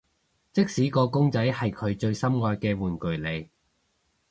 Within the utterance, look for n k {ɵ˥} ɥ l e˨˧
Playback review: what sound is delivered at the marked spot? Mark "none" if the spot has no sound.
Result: ɵ˨˩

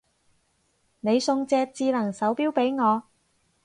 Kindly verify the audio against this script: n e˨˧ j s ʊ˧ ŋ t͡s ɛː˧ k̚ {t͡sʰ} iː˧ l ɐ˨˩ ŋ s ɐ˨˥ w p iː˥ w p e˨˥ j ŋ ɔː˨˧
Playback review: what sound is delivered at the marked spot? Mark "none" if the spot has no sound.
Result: t͡s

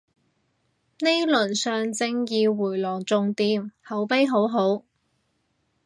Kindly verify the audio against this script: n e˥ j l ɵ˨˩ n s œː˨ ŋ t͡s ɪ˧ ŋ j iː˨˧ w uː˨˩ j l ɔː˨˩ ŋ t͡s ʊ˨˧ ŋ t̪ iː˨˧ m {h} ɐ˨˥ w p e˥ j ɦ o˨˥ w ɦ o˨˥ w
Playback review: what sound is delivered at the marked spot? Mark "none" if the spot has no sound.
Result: h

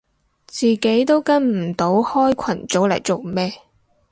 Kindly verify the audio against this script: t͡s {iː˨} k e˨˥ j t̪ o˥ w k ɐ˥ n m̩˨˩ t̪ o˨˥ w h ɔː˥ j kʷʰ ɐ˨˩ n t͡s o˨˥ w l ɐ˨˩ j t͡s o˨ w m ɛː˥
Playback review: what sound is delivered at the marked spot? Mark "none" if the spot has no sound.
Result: iː˨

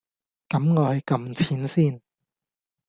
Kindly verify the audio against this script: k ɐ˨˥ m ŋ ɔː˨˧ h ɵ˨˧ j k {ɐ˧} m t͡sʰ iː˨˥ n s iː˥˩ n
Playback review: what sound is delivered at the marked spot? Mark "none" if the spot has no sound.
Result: ɐ˧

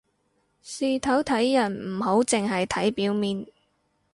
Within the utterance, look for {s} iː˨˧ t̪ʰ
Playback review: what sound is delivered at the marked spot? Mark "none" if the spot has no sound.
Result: s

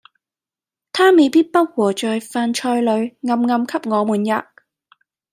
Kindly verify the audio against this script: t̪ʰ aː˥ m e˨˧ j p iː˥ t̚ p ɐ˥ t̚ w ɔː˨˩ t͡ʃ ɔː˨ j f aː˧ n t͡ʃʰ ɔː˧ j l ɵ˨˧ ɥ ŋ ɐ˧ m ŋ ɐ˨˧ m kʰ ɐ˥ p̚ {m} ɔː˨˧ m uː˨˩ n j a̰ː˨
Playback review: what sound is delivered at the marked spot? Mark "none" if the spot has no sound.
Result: ŋ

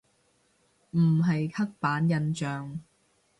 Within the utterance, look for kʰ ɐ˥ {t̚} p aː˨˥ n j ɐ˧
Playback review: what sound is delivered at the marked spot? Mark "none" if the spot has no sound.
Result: k̚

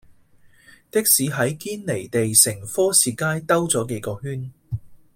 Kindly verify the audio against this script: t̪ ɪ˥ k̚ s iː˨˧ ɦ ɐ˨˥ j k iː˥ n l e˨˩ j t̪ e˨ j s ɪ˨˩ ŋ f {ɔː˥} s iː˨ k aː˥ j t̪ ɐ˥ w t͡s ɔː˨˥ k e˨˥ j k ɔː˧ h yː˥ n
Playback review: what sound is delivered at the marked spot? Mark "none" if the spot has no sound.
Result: ɔː˥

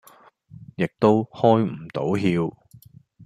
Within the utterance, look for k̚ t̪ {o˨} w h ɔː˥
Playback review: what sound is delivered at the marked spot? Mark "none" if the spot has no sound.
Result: o˥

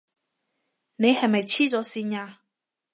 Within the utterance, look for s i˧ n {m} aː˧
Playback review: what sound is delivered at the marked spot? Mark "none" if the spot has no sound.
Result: ɲ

